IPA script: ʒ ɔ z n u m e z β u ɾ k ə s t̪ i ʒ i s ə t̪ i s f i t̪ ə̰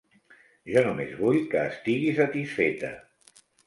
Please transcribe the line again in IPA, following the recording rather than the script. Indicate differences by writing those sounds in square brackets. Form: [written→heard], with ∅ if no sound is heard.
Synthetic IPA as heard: ʒ ɔ [z→∅] n u m e z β u [ɾ→ʎ] k [ə→əː] s t̪ i [ʒ→ɣ] i s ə t̪ i s f [i→e] t̪ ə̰